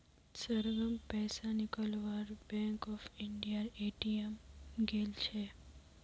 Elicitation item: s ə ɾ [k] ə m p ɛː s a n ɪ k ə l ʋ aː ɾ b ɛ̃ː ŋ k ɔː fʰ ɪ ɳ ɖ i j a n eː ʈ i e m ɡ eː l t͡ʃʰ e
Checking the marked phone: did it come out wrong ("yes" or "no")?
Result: yes